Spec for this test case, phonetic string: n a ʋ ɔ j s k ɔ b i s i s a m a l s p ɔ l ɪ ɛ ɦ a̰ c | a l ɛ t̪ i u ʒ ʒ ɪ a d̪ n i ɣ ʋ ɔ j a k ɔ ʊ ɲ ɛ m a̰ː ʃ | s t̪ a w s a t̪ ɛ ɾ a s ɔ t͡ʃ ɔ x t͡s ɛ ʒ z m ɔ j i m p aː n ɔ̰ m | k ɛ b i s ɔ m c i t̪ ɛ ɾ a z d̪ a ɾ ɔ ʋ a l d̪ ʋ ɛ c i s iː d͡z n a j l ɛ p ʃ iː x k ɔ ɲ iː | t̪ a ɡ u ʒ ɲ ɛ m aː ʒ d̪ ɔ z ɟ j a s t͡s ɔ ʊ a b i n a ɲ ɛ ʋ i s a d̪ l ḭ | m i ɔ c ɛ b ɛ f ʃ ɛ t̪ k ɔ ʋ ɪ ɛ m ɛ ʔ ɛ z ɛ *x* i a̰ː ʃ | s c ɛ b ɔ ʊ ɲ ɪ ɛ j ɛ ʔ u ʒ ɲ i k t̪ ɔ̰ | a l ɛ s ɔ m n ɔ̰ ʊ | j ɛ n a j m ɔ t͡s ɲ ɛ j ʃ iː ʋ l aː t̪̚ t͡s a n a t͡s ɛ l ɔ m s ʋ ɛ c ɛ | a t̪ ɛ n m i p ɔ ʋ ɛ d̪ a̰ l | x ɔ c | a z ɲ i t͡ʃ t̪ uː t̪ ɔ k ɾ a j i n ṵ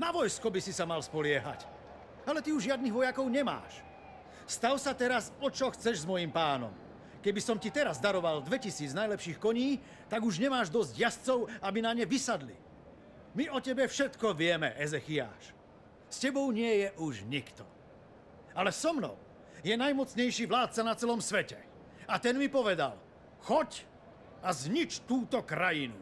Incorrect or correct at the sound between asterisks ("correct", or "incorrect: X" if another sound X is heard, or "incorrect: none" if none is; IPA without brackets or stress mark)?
correct